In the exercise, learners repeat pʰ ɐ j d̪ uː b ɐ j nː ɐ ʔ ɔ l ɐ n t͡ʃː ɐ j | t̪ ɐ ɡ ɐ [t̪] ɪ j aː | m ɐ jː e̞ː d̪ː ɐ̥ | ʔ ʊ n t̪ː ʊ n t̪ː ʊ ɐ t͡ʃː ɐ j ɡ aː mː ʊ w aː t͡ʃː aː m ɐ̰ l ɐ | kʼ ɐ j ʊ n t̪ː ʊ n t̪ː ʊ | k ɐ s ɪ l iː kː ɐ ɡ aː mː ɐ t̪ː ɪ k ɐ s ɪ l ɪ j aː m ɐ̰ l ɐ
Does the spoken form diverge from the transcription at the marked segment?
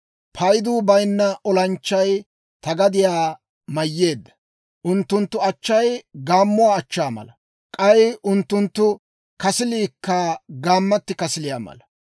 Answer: yes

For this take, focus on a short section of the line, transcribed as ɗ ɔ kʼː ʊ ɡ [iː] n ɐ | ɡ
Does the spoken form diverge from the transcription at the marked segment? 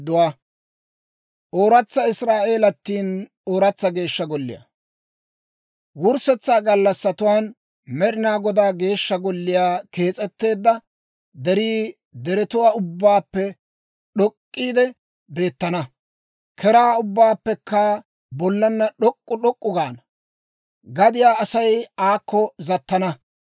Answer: yes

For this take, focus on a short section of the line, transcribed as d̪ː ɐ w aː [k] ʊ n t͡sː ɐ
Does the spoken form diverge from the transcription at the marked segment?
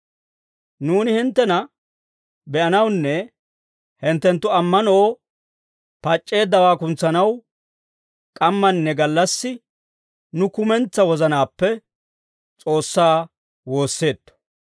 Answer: no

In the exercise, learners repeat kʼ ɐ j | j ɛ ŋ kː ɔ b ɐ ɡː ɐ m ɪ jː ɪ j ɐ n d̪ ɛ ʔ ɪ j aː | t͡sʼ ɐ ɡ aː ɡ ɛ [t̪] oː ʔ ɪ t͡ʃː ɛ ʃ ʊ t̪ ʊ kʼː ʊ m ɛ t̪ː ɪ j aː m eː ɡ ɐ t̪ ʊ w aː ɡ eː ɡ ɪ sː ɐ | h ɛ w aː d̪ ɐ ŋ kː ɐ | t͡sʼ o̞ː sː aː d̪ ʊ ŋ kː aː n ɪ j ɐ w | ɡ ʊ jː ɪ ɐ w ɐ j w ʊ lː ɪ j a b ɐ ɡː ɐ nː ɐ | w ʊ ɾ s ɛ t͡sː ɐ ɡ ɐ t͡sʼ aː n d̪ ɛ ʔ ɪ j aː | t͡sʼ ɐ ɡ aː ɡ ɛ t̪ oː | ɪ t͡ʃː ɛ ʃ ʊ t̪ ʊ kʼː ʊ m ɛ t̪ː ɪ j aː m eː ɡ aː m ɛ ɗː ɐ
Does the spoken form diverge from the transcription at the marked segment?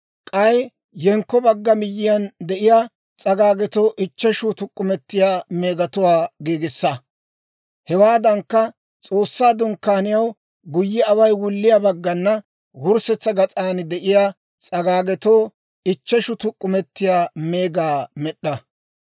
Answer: no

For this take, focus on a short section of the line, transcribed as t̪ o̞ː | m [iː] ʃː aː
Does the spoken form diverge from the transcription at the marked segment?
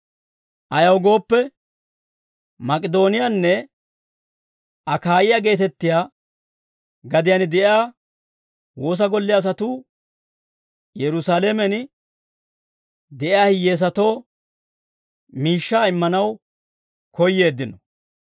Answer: no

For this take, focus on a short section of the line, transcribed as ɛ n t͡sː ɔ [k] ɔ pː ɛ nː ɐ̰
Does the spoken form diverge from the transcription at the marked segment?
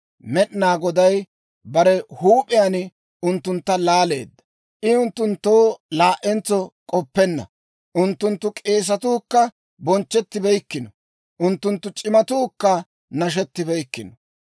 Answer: yes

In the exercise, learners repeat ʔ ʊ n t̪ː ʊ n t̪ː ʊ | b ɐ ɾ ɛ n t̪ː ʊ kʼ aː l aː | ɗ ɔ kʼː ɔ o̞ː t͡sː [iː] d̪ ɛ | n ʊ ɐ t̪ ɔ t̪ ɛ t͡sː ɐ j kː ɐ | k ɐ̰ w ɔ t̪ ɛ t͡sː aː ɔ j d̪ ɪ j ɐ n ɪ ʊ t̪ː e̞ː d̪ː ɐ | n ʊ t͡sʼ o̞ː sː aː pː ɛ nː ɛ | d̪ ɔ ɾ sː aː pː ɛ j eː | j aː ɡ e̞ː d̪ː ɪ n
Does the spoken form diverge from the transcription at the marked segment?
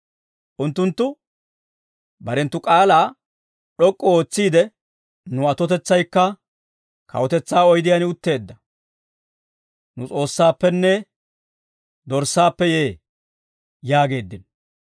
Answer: no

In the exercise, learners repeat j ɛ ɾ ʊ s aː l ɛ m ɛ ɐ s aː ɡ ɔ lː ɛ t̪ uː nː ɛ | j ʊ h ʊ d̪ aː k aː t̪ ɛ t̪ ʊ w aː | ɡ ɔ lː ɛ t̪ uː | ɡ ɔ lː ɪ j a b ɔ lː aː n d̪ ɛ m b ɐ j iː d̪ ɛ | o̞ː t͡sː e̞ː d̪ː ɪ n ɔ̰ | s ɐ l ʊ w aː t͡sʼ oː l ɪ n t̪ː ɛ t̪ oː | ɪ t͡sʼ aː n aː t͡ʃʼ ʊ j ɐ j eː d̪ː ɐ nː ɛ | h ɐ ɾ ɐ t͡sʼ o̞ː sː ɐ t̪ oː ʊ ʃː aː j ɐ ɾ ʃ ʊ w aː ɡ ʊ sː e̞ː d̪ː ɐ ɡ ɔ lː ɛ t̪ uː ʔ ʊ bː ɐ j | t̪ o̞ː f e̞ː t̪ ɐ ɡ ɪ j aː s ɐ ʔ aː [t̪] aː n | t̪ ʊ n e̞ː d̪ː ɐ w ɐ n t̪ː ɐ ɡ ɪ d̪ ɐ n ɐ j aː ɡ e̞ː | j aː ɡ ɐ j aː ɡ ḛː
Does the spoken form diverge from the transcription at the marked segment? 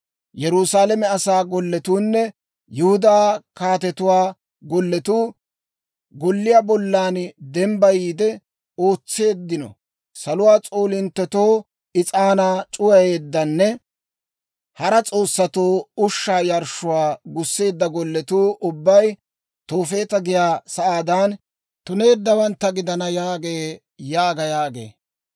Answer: yes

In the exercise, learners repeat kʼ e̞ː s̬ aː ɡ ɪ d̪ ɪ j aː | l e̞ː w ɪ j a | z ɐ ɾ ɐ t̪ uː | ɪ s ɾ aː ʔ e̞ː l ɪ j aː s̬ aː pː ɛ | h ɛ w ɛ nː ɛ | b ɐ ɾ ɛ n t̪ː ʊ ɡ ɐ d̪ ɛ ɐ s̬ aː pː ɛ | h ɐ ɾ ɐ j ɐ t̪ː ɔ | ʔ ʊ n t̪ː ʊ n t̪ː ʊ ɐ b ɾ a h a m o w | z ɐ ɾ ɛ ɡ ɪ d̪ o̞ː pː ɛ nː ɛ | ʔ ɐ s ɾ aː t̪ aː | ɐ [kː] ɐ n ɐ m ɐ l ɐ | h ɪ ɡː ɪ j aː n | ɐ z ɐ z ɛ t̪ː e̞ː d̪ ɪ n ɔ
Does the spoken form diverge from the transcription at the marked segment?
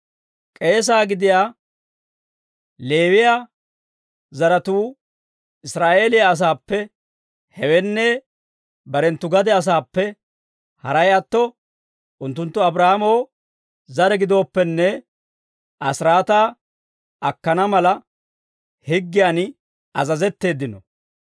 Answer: no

